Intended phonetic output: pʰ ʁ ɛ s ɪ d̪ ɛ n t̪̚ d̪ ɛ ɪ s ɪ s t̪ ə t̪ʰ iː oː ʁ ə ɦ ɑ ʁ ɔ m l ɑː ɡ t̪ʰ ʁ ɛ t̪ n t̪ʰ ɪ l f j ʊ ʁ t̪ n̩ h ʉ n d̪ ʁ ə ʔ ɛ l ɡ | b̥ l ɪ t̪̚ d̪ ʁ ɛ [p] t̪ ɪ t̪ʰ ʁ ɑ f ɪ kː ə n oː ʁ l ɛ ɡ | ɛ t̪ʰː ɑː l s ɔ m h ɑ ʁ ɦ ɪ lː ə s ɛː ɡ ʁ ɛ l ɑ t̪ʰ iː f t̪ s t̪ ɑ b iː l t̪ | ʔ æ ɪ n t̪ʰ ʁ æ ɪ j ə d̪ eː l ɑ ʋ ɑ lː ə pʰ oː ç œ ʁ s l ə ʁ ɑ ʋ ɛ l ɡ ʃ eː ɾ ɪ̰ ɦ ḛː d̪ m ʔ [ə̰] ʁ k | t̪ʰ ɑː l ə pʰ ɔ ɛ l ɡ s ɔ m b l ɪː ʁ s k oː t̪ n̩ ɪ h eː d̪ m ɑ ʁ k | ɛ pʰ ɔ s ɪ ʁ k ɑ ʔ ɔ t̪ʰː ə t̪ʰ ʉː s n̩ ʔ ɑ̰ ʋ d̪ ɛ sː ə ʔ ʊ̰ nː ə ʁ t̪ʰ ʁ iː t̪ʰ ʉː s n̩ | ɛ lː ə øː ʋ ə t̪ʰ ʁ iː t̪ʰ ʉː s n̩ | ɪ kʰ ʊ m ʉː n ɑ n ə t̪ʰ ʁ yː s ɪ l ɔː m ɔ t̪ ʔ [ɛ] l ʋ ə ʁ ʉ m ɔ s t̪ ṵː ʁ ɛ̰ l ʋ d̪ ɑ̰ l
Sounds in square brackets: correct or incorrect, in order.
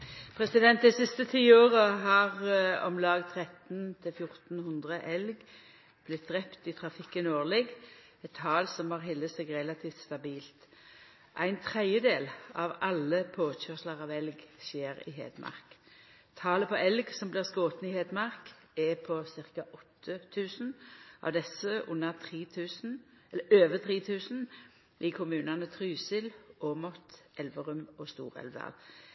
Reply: correct, incorrect: ɑ̰, correct

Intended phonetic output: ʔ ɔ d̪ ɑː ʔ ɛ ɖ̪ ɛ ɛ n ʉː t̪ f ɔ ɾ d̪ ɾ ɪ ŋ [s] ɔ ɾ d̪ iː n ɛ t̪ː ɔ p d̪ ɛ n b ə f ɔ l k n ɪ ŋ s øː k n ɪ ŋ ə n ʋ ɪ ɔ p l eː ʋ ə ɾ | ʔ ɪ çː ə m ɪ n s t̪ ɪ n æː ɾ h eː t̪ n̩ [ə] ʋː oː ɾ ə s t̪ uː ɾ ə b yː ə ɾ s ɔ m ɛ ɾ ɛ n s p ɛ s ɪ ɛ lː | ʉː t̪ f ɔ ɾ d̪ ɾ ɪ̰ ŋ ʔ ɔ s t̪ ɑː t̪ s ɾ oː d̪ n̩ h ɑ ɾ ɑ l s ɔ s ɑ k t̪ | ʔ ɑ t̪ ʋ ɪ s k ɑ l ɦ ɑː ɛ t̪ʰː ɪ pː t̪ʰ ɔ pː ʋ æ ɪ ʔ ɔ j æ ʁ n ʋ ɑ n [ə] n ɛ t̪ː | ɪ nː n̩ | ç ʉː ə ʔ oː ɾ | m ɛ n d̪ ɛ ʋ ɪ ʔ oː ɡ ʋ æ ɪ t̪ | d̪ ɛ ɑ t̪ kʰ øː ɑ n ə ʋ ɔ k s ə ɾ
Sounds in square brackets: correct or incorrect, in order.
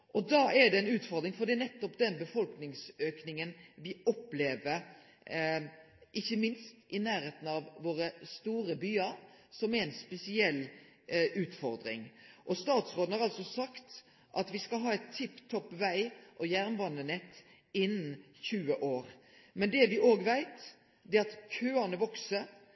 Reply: incorrect: f, incorrect: ɑ, correct

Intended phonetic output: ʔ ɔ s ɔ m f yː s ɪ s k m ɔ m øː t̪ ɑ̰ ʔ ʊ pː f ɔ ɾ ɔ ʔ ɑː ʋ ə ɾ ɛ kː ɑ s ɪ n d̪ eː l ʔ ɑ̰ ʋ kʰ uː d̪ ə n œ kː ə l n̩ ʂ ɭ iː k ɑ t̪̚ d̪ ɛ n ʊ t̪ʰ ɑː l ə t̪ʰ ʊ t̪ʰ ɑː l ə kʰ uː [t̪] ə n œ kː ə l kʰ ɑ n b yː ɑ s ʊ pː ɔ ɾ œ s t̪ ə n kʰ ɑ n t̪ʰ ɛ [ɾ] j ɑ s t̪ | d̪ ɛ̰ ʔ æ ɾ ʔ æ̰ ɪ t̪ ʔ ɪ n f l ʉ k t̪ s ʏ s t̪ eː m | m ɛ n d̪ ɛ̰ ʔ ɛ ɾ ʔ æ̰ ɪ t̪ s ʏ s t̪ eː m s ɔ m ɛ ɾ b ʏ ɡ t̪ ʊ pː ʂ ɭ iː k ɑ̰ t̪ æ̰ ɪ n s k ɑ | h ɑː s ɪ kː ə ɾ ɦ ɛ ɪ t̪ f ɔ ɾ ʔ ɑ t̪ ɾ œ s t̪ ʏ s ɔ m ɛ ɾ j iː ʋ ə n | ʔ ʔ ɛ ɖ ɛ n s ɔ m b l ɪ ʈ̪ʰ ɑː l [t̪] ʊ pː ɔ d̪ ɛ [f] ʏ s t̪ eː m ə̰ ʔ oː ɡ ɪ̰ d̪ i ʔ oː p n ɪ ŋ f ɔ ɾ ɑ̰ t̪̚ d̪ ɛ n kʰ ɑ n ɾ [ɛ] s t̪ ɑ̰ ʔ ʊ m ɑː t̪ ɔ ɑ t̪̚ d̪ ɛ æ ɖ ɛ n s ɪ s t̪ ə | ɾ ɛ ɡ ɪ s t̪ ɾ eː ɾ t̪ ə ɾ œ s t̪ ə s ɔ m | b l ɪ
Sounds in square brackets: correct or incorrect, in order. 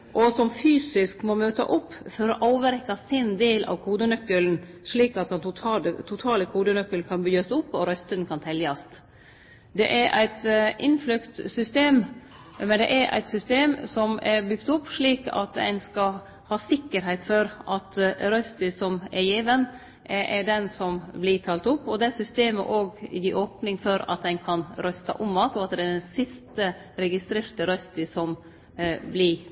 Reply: incorrect: d̪, incorrect: l, correct, incorrect: s, incorrect: œ

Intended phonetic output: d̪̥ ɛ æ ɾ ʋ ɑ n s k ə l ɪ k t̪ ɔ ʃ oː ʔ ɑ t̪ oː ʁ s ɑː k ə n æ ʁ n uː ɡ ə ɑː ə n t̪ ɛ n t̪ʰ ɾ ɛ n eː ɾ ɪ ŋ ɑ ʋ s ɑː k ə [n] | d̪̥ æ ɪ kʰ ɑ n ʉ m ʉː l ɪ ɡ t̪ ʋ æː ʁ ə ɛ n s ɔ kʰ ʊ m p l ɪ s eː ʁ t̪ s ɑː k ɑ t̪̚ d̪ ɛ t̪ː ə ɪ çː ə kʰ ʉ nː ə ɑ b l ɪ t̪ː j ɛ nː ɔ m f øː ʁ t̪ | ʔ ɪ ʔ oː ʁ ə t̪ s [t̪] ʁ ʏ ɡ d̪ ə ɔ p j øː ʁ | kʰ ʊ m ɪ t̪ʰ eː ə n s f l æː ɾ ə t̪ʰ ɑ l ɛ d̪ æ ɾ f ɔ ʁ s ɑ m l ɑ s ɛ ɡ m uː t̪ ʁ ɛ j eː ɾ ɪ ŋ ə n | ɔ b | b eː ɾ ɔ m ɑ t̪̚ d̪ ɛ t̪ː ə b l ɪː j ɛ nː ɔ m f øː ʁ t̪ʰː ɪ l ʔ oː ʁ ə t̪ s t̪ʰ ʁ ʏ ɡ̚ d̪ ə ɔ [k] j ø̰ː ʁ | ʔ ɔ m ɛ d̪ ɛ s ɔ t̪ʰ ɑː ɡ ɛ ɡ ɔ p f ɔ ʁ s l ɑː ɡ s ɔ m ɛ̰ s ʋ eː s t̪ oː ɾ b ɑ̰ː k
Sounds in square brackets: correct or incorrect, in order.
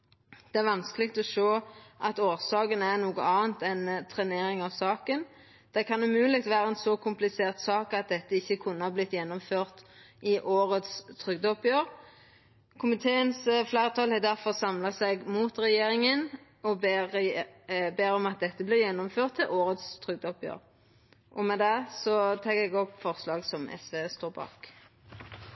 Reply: correct, incorrect: t̪ʰ, incorrect: p

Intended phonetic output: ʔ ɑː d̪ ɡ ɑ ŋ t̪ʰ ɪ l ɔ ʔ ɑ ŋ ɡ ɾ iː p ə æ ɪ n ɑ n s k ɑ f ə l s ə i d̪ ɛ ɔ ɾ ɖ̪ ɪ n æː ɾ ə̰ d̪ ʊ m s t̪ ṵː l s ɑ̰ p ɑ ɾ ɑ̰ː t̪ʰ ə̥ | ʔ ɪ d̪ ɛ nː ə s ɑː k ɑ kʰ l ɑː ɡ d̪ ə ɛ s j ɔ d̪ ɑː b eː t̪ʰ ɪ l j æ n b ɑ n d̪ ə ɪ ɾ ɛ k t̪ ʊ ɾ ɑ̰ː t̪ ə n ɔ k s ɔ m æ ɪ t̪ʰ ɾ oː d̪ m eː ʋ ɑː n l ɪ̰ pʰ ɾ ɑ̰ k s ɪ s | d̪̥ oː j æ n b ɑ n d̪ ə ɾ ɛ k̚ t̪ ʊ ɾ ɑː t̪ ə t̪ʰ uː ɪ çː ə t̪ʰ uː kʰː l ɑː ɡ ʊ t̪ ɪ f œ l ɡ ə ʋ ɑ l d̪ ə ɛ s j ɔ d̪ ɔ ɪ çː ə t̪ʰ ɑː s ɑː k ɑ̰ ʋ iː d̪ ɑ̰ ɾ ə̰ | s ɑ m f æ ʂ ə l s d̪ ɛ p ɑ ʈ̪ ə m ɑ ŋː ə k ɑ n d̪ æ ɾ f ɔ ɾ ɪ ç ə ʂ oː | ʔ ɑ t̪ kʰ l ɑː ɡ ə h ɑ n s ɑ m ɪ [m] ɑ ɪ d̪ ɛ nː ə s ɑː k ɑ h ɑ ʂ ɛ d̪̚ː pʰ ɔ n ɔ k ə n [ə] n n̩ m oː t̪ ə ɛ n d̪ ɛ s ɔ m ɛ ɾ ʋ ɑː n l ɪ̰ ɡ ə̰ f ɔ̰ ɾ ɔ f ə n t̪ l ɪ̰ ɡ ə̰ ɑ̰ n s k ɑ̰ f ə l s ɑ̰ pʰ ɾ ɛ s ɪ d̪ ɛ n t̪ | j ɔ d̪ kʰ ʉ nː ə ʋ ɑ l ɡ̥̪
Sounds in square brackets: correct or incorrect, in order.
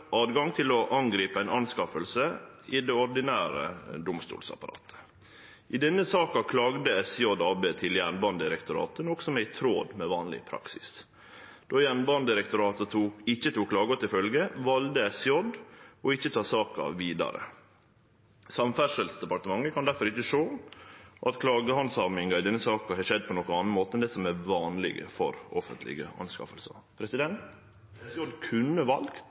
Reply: incorrect: ŋ, incorrect: ɑ

